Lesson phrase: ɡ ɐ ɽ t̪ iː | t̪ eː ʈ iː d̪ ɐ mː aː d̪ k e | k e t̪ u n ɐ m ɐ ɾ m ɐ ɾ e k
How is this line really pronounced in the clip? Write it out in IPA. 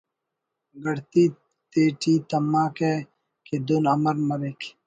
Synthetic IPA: ɡ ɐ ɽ t̪ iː | t̪ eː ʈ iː t̪ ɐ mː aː k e | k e d̪ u n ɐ m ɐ ɾ m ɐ ɾ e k